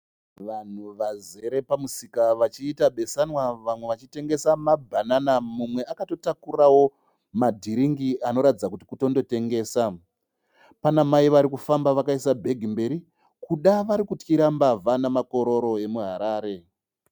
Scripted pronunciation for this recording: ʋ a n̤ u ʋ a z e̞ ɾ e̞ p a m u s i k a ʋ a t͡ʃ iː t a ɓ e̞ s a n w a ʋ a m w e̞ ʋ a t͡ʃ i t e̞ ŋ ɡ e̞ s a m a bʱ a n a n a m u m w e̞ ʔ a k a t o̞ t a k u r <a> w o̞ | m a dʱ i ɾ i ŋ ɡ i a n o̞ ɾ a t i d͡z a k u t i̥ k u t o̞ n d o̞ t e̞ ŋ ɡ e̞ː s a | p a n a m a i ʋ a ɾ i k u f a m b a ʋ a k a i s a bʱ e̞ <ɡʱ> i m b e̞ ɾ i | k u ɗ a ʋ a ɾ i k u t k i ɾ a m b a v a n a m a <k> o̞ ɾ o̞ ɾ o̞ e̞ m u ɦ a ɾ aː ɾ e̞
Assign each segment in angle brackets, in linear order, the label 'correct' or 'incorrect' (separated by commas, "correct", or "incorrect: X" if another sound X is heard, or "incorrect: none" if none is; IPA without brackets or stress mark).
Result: correct, correct, correct